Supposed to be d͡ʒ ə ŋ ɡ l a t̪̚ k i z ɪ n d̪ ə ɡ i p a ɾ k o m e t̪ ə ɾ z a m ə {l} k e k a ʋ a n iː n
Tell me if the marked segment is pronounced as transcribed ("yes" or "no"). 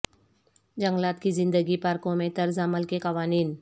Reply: yes